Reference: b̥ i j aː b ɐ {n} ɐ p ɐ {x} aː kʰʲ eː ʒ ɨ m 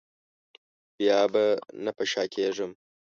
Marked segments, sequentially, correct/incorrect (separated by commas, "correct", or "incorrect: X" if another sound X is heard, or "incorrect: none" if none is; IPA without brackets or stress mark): correct, incorrect: ʃ